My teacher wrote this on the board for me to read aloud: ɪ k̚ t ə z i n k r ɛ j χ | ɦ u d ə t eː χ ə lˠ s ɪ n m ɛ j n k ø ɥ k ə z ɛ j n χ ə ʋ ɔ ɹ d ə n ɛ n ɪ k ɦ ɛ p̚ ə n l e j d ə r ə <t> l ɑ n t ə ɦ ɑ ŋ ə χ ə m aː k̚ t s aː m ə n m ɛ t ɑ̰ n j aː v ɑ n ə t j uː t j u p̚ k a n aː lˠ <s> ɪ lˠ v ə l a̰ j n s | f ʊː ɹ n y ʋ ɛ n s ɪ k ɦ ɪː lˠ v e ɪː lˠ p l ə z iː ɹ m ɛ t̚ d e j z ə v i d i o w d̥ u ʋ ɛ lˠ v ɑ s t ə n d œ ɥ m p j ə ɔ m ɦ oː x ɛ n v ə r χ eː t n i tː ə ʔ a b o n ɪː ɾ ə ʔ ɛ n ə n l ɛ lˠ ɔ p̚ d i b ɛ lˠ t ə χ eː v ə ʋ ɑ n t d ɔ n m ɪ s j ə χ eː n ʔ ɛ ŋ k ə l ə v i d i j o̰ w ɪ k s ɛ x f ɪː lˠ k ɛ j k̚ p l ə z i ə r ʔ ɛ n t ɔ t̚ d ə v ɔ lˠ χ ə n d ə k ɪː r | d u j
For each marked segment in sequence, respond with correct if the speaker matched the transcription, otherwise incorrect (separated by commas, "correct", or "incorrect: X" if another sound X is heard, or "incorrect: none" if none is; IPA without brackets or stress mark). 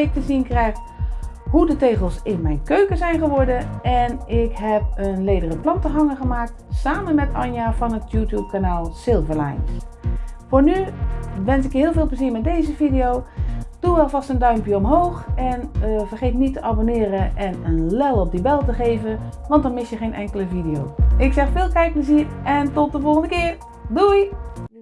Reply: incorrect: p, correct